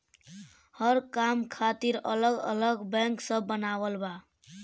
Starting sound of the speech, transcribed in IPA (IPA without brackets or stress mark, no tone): h